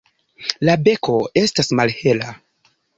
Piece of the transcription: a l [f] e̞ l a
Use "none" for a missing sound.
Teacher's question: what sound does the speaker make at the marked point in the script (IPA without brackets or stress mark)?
h